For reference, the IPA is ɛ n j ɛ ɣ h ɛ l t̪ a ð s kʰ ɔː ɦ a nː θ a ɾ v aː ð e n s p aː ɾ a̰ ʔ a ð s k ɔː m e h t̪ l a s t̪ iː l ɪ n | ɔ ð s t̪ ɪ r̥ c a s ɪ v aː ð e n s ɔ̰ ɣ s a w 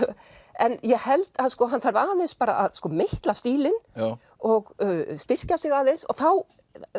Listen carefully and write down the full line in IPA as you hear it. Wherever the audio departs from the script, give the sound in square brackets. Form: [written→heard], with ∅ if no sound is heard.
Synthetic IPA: ɛ n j ɛ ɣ h ɛ l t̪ a ð s [kʰ→k] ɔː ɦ a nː θ a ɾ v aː ð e n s p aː ɾ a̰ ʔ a ð s k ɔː m e h t̪ l a s t̪ iː l ɪ n | ɔ [ð→ɣ] s t̪ ɪ r̥ c a s ɪ [v→ɣ] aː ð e n s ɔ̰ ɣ [s→θ] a w

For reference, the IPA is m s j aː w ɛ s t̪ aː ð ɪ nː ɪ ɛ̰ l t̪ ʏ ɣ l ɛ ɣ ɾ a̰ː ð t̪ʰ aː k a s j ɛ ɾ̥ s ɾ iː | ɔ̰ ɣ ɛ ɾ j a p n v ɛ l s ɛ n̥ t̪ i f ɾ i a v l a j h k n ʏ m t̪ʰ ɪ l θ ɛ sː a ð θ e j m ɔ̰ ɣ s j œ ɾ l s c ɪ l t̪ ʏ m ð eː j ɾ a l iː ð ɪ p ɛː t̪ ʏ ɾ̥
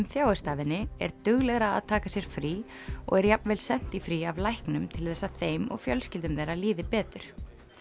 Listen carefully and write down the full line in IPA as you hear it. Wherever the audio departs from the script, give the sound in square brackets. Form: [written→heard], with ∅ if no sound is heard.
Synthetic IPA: m [s→θ] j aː w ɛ s t̪ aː [ð→v] ɪ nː ɪ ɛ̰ [l→ɾ] t̪ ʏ ɣ l ɛ ɣ ɾ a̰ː ð t̪ʰ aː k a s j ɛ ɾ̥ [s→f] ɾ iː | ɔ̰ ɣ ɛ ɾ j a p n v ɛ l s ɛ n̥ t̪ i f ɾ i a v l a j h k n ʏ m t̪ʰ ɪ l θ ɛ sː a ð θ e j m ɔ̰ ɣ [s→f] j œ [ɾ→∅] l s c ɪ l t̪ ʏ m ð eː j ɾ a l iː ð ɪ p ɛː t̪ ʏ ɾ̥

